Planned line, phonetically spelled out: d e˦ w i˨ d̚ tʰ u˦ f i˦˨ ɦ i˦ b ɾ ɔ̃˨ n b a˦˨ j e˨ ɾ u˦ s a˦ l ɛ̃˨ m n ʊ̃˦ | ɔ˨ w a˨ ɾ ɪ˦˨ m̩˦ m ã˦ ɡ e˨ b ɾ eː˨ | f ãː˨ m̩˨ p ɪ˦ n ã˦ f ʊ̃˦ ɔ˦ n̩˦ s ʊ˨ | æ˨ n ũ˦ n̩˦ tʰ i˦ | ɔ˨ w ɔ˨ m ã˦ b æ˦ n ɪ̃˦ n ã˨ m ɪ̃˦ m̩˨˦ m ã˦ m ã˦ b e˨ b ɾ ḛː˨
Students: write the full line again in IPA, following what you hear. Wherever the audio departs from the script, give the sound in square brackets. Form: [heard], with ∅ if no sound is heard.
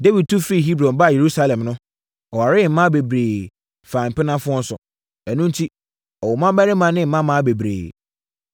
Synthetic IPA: d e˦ w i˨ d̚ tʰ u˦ f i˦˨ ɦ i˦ b ɾ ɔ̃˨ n b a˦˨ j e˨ ɾ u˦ s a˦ l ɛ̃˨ m n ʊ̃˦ | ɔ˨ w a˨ ɾ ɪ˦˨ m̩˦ m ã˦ [b] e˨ b ɾ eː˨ | f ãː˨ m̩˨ p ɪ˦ n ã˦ f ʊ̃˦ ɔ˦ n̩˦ s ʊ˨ | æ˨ n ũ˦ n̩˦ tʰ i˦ | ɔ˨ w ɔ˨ m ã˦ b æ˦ n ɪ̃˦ [m] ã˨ [n] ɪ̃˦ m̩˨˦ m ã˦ m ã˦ b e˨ b ɾ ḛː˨